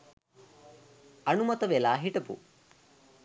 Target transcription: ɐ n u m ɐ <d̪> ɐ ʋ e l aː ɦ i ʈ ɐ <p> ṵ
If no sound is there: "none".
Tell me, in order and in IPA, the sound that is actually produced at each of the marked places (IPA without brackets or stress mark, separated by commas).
t̪, p